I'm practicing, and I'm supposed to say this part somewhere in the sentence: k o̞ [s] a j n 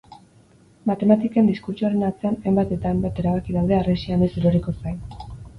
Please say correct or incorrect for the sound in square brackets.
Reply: correct